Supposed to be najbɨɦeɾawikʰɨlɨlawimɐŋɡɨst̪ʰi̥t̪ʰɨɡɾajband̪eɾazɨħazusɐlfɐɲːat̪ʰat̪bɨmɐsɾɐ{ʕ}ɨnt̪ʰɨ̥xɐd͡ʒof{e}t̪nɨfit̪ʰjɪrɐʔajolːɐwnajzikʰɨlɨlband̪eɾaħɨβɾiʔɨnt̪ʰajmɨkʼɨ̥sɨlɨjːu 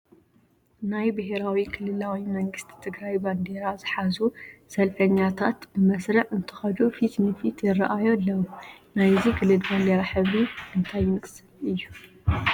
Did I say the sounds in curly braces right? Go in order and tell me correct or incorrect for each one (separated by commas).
correct, incorrect